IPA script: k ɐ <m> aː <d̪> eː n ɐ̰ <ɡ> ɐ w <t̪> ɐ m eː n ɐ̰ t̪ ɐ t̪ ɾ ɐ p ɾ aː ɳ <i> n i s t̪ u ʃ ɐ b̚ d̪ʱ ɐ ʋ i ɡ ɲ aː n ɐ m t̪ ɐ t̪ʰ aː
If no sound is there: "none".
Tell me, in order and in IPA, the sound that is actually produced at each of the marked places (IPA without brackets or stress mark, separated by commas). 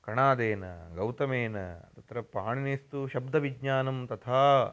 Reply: ɳ, d̪, ɡ, t̪, i